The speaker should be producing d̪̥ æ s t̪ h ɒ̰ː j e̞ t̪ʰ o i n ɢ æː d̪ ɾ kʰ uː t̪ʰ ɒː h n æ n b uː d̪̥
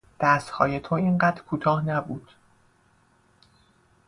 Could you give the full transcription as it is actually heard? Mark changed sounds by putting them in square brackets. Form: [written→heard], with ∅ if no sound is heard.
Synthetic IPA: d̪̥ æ s t̪ h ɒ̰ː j e̞ t̪ʰ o i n ɢ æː d̪ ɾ kʰ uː t̪ʰ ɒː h n æ [n→∅] b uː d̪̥

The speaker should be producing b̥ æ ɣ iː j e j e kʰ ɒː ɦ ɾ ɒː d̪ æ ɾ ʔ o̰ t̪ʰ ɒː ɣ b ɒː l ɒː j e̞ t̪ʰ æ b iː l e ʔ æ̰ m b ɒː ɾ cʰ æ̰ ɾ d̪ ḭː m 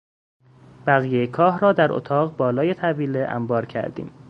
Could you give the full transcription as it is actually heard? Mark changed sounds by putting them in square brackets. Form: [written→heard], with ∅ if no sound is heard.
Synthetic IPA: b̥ æ ɣ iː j e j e kʰ ɒː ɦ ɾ ɒː d̪ æ ɾ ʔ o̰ t̪ʰ ɒː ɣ b ɒː l ɒː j e̞ t̪ʰ æ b iː l e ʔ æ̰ m b ɒː ɾ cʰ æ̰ ɾ d̪ ḭː m

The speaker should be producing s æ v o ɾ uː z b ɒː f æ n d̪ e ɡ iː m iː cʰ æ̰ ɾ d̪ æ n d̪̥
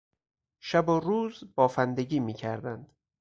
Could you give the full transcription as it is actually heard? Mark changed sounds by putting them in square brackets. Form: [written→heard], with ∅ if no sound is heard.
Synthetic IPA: [s→ʃ] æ [v→b] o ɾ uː z b ɒː f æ n d̪ e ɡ iː m iː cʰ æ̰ ɾ d̪ æ n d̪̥

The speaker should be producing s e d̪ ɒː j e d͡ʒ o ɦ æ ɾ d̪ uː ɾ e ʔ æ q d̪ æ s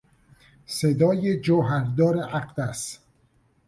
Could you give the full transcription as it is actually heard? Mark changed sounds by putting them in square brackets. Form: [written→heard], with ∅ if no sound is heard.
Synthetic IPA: s e d̪ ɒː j e d͡ʒ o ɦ æ ɾ d̪ [uː→ɒː] ɾ e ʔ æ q d̪ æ s

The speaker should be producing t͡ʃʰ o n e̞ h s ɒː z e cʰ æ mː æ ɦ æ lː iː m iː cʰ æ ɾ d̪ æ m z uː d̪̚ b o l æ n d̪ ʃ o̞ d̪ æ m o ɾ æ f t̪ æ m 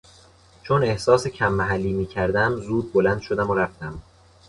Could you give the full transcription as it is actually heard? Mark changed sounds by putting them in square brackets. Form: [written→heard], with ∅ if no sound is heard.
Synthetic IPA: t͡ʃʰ o n e̞ h s ɒː [z→s] e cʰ æ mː æ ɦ æ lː iː m iː cʰ æ ɾ d̪ æ m z uː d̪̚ b o l æ n d̪ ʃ o̞ d̪ æ m o ɾ æ f t̪ æ m

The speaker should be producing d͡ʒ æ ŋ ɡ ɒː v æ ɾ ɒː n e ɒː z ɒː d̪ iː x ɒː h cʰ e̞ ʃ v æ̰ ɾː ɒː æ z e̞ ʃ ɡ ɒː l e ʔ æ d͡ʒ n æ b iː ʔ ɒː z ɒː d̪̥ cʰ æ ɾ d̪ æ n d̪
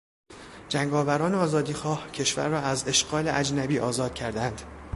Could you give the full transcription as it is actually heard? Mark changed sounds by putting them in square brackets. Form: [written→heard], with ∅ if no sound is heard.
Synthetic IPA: d͡ʒ æ ŋ ɡ ɒː v æ ɾ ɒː n e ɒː z ɒː d̪ iː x ɒː h cʰ e̞ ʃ v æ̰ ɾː ɒː æ z e̞ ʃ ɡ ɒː l e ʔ æ d͡ʒ n æ b iː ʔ ɒː z ɒː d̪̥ cʰ æ ɾ d̪ æ n d̪

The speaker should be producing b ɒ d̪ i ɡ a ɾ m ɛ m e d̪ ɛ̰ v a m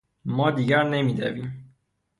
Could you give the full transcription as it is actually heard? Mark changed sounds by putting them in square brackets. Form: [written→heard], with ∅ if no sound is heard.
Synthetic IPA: [b→m] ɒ d̪ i ɡ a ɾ [m→n] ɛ m [e→i] d̪ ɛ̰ v [a→i] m

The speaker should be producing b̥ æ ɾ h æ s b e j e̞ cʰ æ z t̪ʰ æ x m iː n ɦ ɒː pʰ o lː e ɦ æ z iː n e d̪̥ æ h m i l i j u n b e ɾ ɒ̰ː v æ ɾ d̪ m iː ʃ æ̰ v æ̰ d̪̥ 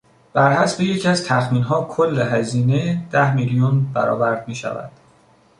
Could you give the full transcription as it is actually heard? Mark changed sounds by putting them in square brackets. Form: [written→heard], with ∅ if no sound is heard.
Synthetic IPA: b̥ æ ɾ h æ s b e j e̞ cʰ æ z t̪ʰ æ x m iː n ɦ ɒː [pʰ→kʰ] o lː e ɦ æ z iː n e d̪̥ æ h m i l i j u n b [e→æ] ɾ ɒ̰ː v æ ɾ d̪ m iː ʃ æ̰ v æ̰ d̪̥

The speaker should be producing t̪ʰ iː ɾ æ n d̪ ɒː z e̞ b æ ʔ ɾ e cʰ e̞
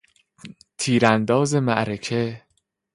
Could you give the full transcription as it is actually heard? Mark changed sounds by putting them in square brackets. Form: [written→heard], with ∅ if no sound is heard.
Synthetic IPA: t̪ʰ iː ɾ æ n d̪ ɒː z e̞ [b→m] æ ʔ ɾ e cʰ e̞

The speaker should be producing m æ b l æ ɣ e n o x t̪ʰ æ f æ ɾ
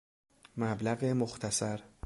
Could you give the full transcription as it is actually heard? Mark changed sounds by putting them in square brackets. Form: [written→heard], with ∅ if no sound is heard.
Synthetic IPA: m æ b l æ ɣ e [n→m] o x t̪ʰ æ [f→s] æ ɾ

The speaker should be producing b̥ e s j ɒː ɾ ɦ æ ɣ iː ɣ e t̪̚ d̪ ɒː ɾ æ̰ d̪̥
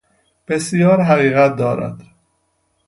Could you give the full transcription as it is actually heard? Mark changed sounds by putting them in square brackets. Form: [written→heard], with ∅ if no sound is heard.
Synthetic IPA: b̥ e s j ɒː ɾ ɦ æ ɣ iː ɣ [e→æ] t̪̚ d̪ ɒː ɾ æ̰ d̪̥

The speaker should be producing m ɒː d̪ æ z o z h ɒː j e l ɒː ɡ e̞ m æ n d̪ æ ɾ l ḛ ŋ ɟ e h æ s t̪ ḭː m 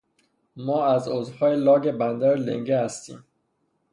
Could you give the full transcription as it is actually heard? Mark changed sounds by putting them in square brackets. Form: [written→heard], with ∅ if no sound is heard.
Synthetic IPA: m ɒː [d̪→∅] æ z o z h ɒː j e l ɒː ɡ e̞ [m→b] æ n d̪ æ ɾ l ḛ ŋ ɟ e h æ s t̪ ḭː m

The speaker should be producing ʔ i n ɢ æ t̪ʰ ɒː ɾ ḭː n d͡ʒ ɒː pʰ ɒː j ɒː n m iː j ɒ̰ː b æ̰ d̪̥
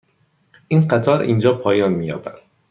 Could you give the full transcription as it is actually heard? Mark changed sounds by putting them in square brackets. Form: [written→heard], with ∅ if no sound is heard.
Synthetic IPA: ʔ i n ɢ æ t̪ʰ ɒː ɾ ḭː n d͡ʒ ɒː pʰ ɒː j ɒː n m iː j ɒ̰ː b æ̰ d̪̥

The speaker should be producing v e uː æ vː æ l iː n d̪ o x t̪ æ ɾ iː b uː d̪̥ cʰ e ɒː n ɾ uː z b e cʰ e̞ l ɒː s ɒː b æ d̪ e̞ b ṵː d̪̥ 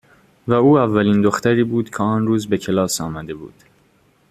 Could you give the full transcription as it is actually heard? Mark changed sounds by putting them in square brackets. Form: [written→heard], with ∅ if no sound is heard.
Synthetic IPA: v [e→æ] uː æ vː æ l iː n d̪ o x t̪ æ ɾ iː b uː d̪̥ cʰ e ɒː n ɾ uː z b e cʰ e̞ l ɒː s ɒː [b→m] æ d̪ e̞ b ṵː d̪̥

